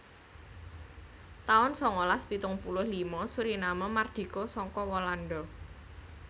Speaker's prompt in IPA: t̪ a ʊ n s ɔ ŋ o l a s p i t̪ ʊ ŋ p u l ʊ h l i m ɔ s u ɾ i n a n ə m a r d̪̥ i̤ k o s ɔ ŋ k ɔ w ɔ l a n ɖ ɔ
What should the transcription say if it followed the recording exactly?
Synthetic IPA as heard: t̪ a ʊ n s ɔ ŋ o l a s p i t̪ ʊ ŋ p u l ʊ h l i m ɔ s u ɾ i n a m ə m a r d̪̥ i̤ k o s ɔ ŋ k ɔ w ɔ l a n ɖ ɔ